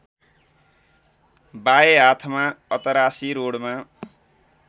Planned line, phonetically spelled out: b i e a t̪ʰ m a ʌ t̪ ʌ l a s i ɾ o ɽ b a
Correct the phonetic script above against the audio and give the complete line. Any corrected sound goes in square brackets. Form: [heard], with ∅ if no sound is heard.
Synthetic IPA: b [a] e a t̪ʰ m a ʌ t̪ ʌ [ɾ] a s i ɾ o ɽ [m] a